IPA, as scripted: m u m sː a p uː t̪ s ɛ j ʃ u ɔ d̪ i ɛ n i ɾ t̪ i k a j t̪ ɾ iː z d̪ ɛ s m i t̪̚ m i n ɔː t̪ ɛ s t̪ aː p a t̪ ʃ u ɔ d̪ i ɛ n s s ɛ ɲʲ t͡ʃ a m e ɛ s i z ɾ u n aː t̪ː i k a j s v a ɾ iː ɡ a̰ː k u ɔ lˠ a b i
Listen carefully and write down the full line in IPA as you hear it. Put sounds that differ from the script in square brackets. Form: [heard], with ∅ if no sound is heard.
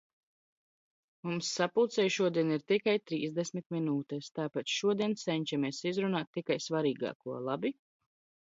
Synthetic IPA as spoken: m u m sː a p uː t̪ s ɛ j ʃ u ɔ d̪ i ɛ n i ɾ t̪ i k a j t̪ ɾ iː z d̪ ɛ s m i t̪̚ m i n [uː] t̪ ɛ s t̪ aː p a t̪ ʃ u ɔ d̪ i ɛ n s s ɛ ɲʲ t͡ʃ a m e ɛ s i z ɾ u n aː t̪ː i k a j s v a ɾ iː ɡ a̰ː k u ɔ lˠ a b i